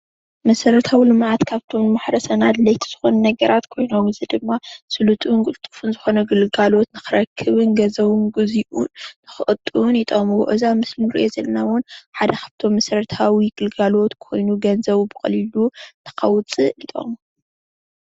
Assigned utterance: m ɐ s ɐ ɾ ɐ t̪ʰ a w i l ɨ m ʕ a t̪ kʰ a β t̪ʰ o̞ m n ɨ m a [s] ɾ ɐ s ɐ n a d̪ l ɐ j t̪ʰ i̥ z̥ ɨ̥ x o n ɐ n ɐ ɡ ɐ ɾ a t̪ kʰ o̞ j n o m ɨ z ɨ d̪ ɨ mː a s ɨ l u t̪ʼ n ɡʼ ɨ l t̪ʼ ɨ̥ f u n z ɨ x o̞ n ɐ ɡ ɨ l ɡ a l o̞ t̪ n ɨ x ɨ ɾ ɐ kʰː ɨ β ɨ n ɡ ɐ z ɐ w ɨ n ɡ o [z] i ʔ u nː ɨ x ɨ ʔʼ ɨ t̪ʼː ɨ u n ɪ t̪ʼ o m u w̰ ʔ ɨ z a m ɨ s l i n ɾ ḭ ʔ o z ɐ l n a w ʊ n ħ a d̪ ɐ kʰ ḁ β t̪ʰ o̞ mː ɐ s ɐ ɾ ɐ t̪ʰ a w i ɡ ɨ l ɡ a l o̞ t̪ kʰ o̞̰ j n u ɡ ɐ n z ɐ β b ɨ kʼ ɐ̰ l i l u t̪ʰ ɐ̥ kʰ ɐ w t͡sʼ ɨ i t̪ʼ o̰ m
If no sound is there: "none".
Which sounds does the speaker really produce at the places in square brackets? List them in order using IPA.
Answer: ħ, z

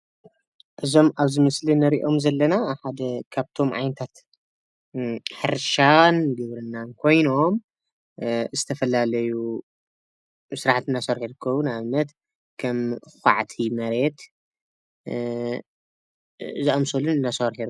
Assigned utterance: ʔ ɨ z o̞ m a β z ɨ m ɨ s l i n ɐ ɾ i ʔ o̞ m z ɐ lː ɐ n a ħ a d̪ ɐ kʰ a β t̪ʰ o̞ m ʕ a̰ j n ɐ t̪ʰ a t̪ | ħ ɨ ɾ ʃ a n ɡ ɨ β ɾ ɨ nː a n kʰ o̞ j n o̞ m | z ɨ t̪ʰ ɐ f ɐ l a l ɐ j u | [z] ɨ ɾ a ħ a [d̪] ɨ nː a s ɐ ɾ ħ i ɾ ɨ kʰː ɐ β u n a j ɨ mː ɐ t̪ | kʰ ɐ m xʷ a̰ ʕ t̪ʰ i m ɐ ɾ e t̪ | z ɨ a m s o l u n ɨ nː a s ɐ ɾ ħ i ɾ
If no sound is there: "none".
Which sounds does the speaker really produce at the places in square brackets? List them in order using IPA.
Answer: s, t̪

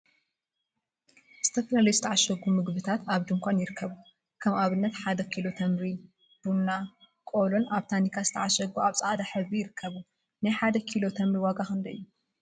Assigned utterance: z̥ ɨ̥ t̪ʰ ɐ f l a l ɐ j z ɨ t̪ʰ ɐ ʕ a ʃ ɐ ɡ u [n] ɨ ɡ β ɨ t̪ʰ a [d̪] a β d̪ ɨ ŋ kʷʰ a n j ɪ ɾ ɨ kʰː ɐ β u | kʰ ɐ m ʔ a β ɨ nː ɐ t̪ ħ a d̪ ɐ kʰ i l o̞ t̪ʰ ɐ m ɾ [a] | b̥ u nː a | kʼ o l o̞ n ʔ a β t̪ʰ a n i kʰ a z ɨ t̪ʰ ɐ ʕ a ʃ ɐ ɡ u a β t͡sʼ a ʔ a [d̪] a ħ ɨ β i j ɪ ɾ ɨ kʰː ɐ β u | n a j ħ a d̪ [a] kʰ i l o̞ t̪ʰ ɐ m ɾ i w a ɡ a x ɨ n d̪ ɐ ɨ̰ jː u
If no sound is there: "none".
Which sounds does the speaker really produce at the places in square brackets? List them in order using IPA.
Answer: m, t̪, i, d̪, ɐ

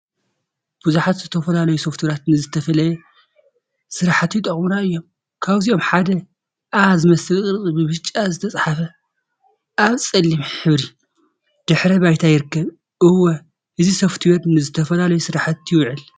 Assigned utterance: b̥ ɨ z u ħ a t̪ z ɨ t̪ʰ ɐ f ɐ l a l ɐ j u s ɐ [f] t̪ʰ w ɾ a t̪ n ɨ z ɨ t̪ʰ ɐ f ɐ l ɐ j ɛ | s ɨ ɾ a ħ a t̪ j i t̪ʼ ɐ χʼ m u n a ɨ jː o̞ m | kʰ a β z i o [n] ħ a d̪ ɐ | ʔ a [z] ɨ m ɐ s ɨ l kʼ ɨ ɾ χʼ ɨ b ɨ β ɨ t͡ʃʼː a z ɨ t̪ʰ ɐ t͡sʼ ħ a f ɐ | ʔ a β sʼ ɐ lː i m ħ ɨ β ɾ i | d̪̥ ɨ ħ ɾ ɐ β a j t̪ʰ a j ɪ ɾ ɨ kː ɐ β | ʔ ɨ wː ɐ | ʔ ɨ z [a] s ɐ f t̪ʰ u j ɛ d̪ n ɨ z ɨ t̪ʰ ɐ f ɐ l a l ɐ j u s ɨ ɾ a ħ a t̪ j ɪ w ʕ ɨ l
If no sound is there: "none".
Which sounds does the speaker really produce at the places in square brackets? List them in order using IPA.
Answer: f, m, z, i

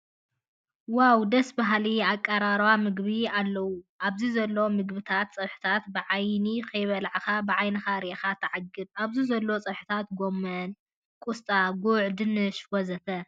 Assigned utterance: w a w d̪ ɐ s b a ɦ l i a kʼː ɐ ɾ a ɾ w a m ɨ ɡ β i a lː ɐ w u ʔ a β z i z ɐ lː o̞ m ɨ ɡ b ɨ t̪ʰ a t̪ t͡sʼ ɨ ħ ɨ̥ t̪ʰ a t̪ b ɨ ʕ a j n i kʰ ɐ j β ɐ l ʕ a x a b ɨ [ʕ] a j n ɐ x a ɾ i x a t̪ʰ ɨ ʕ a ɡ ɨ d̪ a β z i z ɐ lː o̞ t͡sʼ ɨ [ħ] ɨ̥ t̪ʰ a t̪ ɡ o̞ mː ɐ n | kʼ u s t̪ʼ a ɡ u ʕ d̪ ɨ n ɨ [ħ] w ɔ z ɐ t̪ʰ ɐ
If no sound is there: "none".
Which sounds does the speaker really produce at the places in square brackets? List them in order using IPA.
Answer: ʕ, ħ, ʃ

